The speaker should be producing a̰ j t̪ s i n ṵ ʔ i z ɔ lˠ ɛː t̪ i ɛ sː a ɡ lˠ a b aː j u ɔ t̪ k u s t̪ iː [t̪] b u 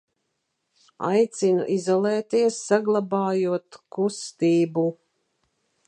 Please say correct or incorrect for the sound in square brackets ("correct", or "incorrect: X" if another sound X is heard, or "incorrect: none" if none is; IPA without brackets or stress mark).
incorrect: none